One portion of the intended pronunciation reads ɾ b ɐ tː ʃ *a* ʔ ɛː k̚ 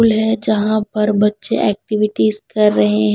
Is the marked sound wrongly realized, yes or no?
yes